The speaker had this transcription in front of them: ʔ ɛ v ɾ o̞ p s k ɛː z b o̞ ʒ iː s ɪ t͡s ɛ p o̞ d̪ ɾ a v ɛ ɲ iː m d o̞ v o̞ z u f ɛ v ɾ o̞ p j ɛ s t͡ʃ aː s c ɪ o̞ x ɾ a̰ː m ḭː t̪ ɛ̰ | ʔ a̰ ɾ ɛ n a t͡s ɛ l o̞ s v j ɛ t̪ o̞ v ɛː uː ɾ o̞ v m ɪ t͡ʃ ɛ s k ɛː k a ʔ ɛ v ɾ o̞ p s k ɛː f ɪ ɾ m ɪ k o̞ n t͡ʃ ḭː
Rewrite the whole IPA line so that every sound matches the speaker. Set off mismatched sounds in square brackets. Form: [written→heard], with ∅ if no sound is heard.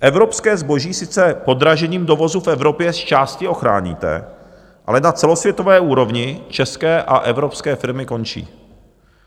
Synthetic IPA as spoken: ʔ ɛ v ɾ o̞ p s k ɛː z b o̞ ʒ iː s ɪ t͡s ɛ p o̞ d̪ ɾ a [v→ʒ] ɛ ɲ iː m d o̞ v o̞ z u f ɛ v ɾ o̞ p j ɛ s t͡ʃ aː s c ɪ o̞ x ɾ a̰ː [m→ɲ] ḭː t̪ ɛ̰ | ʔ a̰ [ɾ→l] ɛ n a t͡s ɛ l o̞ s v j ɛ t̪ o̞ v ɛː uː ɾ o̞ v [m→ɲ] ɪ t͡ʃ ɛ s k ɛː [k→ʔ] a ʔ ɛ v ɾ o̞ p s k ɛː f ɪ ɾ m ɪ k o̞ n t͡ʃ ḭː

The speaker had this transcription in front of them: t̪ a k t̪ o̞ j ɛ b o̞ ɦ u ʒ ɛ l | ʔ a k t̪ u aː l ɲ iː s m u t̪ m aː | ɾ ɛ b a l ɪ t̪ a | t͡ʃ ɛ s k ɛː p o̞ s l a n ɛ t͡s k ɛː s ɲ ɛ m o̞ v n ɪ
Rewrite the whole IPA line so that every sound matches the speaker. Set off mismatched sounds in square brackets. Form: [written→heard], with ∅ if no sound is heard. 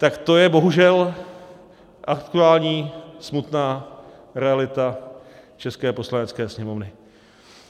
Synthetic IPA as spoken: t̪ a k t̪ o̞ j ɛ b o̞ ɦ u ʒ ɛ l | ʔ a k t̪ u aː l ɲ iː s m u t̪ [m→n] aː | ɾ ɛ [b→∅] a l ɪ t̪ a | t͡ʃ ɛ s k ɛː p o̞ s l a n ɛ t͡s k ɛː s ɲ ɛ m o̞ v n ɪ

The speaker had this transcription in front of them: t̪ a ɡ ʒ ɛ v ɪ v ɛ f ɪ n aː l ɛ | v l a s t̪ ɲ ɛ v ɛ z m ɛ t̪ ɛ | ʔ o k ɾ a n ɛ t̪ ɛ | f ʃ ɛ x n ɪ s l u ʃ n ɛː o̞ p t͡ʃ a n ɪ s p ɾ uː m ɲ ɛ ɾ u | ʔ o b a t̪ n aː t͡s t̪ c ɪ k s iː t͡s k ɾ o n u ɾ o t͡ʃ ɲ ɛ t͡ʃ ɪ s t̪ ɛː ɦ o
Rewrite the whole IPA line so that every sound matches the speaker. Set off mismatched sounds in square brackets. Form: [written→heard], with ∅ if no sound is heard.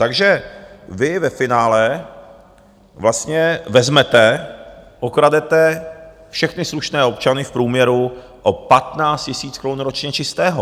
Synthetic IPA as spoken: t̪ a ɡ ʒ ɛ v ɪ v ɛ f ɪ n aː l ɛ | v l a s t̪ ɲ ɛ v ɛ z m ɛ t̪ ɛ | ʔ o k ɾ a [n→d] ɛ t̪ ɛ | f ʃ ɛ x n ɪ s l u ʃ n ɛː o̞ p t͡ʃ a n ɪ [s→f] p ɾ uː m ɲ ɛ ɾ u | ʔ o [b→p] a t̪ n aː t͡s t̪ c ɪ [k→∅] s iː t͡s k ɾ o n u ɾ o t͡ʃ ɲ ɛ t͡ʃ ɪ s t̪ ɛː ɦ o

